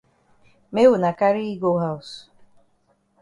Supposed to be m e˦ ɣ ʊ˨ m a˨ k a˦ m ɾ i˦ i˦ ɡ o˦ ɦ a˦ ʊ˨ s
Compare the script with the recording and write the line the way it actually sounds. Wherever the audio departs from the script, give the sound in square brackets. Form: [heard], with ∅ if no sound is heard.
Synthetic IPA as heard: m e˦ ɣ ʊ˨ [n] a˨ k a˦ [∅] ɾ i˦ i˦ ɡ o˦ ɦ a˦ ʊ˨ s

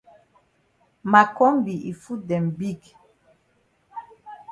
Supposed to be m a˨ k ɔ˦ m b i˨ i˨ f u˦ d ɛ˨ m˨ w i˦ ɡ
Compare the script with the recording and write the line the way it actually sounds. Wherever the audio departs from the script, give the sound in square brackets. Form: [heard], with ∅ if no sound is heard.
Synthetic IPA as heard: m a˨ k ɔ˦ m b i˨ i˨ f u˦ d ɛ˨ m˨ [b] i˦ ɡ

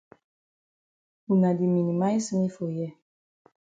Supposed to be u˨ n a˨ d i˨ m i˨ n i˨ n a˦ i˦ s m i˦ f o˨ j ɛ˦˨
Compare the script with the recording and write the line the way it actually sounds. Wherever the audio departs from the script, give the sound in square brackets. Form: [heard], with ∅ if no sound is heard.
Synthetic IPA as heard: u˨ n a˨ d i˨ m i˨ n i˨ [m] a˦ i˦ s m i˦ f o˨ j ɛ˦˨

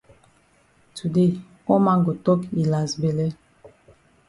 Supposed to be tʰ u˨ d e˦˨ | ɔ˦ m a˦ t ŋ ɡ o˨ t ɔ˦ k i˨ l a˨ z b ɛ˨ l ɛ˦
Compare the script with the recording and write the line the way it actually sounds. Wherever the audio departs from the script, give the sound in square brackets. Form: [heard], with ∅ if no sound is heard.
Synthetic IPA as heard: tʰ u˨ d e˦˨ | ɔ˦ m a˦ [∅] ŋ ɡ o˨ t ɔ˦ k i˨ l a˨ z b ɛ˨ l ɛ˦

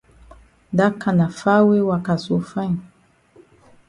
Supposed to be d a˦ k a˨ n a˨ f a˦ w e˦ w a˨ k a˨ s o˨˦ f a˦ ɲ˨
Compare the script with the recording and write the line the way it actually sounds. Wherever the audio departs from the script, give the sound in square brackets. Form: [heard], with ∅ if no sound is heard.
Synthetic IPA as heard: d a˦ k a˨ n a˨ f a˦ w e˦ w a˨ k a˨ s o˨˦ f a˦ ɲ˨

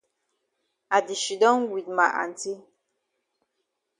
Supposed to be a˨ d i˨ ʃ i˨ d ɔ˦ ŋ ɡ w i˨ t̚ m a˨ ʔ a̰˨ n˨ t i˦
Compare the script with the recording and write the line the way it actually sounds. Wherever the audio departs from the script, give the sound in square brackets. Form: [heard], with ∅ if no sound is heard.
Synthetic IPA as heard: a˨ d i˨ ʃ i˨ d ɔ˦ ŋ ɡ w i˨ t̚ m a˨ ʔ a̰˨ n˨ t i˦

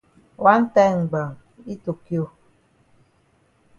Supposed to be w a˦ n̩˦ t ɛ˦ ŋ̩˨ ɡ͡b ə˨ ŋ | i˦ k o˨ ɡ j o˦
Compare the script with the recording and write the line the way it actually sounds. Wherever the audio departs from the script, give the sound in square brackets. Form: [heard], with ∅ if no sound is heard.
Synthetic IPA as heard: w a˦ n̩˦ t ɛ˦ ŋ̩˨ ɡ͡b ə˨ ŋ | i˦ [t] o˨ [k] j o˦

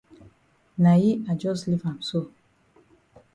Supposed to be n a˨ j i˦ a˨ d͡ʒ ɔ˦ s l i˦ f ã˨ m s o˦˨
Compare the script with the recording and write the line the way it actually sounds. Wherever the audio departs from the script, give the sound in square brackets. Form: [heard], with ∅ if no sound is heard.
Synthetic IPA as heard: n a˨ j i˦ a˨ d͡ʒ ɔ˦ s l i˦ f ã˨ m s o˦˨

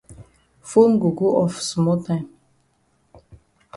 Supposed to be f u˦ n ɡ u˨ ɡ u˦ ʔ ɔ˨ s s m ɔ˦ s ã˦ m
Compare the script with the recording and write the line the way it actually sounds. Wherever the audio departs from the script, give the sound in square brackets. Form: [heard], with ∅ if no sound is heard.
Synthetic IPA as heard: f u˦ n ɡ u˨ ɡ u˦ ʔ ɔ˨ [f] s m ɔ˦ [t] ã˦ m

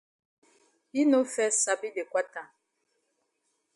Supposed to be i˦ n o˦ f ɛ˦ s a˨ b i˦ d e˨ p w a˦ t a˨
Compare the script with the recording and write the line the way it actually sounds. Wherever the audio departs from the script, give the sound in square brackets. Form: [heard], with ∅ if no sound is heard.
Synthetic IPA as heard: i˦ n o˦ f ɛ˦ s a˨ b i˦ [b] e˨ [k] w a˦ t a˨

